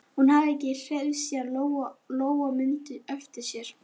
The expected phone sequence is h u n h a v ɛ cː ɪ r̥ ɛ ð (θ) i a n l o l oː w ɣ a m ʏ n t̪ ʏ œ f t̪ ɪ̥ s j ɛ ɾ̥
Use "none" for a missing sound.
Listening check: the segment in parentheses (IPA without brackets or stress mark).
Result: s